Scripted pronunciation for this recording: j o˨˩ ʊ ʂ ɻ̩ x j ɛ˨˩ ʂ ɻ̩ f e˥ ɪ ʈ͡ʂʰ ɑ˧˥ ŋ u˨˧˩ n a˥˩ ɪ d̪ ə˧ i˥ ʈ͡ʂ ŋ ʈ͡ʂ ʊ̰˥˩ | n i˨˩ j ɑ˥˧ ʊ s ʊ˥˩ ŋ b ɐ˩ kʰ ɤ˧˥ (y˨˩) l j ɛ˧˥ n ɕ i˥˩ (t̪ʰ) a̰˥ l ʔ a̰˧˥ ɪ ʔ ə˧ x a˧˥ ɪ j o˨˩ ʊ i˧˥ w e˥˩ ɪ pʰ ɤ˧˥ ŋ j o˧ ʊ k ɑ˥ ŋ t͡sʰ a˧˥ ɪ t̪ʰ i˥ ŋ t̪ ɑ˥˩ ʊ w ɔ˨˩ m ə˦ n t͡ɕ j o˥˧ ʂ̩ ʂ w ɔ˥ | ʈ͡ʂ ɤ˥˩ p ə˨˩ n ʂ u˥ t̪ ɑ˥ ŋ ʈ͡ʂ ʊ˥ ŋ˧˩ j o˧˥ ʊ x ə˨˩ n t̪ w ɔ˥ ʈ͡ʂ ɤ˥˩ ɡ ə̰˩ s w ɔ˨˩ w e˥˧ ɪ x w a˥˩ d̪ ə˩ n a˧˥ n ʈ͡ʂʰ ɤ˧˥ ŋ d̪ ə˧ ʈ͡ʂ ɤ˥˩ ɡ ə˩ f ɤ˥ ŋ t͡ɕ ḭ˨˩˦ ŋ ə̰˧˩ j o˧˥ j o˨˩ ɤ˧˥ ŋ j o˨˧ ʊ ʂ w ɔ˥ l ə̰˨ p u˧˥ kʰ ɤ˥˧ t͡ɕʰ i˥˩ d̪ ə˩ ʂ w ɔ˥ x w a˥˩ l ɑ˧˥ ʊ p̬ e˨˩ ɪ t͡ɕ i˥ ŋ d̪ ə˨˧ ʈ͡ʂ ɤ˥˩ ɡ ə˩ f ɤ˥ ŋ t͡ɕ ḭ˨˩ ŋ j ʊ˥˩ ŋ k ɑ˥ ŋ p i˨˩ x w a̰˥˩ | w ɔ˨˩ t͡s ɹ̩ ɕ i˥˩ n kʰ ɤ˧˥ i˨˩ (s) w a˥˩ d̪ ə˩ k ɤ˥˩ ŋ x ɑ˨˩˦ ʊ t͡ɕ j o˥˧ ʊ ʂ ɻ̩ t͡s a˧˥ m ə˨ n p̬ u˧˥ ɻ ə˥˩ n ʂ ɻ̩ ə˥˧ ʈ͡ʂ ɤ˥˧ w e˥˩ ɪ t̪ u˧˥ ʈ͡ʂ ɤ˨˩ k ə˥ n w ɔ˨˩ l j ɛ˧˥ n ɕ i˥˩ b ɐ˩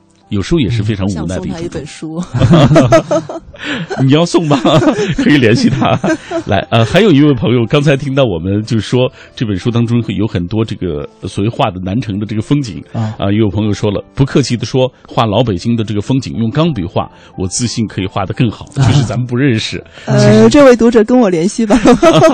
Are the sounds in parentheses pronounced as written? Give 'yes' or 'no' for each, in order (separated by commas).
no, yes, no